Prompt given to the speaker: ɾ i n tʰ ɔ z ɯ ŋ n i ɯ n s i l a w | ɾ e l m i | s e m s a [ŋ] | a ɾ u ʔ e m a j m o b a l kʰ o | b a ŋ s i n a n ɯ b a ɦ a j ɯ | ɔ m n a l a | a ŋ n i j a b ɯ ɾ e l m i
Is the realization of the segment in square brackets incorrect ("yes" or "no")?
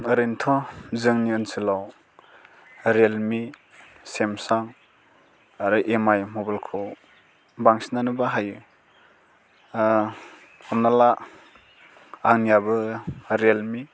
no